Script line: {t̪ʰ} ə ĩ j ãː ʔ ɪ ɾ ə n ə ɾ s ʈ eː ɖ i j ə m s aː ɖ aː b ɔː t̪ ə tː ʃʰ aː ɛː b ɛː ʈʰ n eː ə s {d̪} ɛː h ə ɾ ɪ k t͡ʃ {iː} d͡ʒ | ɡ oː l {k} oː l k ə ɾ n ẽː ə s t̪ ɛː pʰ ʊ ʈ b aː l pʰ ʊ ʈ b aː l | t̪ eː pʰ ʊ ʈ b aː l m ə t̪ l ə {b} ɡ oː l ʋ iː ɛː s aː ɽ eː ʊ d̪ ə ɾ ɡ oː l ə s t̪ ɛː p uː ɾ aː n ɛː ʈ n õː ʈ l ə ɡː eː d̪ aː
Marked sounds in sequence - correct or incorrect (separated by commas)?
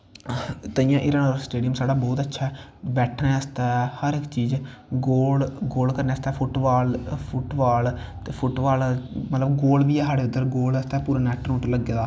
incorrect, incorrect, correct, incorrect, correct